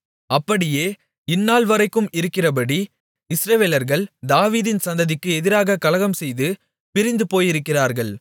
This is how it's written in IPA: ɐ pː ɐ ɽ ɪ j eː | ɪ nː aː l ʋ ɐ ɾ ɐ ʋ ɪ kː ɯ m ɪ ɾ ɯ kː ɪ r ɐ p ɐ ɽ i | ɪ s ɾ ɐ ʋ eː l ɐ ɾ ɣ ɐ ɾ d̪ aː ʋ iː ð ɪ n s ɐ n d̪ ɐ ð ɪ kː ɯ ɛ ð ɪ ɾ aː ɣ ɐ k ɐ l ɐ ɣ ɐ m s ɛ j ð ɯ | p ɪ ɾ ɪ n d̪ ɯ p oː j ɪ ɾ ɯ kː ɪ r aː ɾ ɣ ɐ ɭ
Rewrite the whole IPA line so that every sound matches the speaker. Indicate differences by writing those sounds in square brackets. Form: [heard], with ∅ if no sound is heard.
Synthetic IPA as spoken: ɐ pː ɐ ɽ ɪ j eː | ɪ nː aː l ʋ ɐ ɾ ɐ [∅] ɪ kː ɯ m ɪ ɾ ɯ kː ɪ r ɐ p ɐ ɽ i | ɪ s ɾ ɐ ʋ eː l ɐ ɾ ɣ ɐ [ɭ] d̪ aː ʋ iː ð ɪ n s ɐ n d̪ ɐ ð ɪ kː ɯ ɛ ð ɪ ɾ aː ɣ ɐ k ɐ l ɐ ɣ ɐ m s ɛ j ð ɯ | p ɪ ɾ ɪ n d̪ ɯ p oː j ɪ ɾ ɯ kː ɪ r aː ɾ ɣ ɐ ɭ

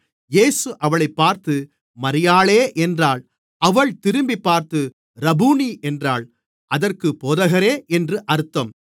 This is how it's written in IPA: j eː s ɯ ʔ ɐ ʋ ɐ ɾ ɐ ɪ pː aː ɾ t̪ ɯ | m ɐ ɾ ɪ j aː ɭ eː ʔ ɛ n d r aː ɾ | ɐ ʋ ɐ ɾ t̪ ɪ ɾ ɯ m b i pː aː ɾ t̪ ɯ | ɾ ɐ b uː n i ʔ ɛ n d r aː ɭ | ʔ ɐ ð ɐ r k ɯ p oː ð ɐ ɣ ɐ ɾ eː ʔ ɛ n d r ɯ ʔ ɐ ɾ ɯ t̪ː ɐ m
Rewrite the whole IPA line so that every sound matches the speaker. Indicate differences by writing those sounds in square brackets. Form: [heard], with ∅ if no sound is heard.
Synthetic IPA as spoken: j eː s ɯ ʔ ɐ ʋ ɐ [ɭ] ɐ ɪ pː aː ɾ t̪ ɯ | m ɐ ɾ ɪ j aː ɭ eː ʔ ɛ n d r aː [ɭ] | ɐ ʋ ɐ [ɭ] t̪ ɪ ɾ ɯ m b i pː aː ɾ t̪ ɯ | ɾ ɐ b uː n i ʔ ɛ n d r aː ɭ | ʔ ɐ ð ɐ r k ɯ p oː ð ɐ ɣ ɐ ɾ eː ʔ ɛ n d r ɯ ʔ ɐ ɾ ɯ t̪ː ɐ m

